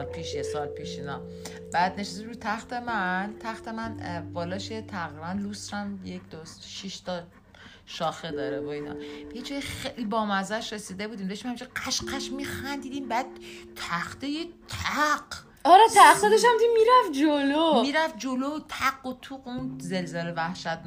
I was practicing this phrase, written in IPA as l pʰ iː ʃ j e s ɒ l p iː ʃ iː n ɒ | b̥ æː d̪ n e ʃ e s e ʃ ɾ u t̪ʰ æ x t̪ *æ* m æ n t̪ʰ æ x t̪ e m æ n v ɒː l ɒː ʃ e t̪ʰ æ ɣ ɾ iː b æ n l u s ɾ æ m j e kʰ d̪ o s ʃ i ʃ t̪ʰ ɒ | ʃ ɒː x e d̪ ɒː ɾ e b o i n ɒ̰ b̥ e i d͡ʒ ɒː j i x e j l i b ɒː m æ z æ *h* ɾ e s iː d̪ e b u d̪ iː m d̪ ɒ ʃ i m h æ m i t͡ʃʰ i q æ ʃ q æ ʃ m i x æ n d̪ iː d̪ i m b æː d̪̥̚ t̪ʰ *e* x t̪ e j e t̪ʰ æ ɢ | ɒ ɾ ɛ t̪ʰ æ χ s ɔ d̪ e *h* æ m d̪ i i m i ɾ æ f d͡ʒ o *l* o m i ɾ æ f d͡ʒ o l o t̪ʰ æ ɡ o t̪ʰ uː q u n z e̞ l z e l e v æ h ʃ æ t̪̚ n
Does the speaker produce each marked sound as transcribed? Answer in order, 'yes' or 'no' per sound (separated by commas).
no, no, no, no, yes